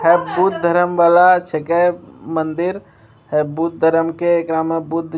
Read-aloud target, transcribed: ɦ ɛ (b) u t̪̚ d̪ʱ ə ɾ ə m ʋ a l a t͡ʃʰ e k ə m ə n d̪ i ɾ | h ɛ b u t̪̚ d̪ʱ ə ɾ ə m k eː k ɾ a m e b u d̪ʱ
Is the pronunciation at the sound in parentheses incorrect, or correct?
correct